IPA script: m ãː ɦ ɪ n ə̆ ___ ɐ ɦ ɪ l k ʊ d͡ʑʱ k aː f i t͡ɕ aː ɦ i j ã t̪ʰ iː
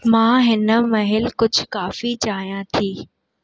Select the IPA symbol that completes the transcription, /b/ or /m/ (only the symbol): m